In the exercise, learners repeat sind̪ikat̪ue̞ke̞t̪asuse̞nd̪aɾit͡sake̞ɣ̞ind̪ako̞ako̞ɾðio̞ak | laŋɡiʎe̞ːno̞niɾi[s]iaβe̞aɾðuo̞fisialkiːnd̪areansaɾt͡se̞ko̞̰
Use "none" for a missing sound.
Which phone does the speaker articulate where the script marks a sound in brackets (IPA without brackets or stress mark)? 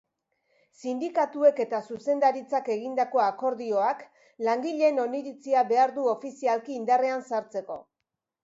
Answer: t͡s